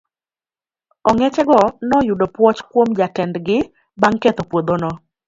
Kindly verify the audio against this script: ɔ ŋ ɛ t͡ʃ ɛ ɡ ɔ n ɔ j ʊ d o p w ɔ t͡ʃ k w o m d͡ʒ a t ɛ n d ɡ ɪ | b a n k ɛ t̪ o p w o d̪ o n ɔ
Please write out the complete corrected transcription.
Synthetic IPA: ɔ ŋ ɛ t͡ʃ ɛ ɡ ɔ n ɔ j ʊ d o p w ɔ t͡ʃ k w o m d͡ʒ a t ɛ n d ɡ ɪ | b a ŋ k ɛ t̪ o p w o d̪ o n ɔ